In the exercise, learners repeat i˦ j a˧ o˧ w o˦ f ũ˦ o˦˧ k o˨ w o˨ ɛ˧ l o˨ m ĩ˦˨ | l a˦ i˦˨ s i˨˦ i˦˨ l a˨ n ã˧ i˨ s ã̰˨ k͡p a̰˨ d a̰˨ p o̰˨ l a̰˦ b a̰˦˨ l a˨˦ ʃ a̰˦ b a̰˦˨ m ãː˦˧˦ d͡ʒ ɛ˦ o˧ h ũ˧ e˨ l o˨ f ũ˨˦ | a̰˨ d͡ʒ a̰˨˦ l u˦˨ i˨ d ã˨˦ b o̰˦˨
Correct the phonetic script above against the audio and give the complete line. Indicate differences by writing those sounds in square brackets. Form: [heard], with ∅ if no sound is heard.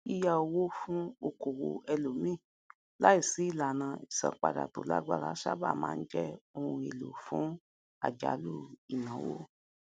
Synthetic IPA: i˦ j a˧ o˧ w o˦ f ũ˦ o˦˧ k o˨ w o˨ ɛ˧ l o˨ m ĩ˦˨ | l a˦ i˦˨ s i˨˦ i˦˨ l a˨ n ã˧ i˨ s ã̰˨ k͡p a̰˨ d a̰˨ [t] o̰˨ l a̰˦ [ɡ͡b] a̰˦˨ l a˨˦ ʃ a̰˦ b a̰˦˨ m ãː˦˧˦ d͡ʒ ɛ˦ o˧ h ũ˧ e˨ l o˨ f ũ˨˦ | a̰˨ d͡ʒ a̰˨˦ l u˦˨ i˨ [n] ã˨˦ [w] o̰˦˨